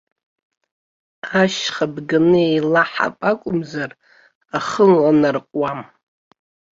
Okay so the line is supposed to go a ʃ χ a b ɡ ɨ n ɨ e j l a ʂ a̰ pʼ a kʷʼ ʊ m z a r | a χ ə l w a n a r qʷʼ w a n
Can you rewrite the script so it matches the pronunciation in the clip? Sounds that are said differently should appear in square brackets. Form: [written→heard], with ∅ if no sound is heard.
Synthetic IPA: a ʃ χ a b ɡ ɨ n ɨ e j l a [ʂ→ħ] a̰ pʼ a kʷʼ ʊ m z a r | a χ ə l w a n a r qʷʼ w a [n→m]